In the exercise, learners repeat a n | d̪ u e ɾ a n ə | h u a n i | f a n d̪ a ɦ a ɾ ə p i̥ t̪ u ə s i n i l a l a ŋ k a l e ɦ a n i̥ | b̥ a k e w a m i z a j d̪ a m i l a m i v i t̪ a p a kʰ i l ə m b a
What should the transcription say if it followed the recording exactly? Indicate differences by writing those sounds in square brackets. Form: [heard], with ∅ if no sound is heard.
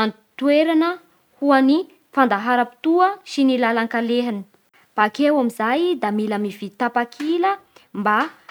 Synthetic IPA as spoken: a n | [t̪] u e ɾ a n ə | h u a n i | f a n d̪ a ɦ a ɾ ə p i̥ t̪ u ə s i n i l a l a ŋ k a l e ɦ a n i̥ | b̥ a k e w a m i z a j d̪ a m i l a m i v i t̪ a p a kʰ i l ə m b a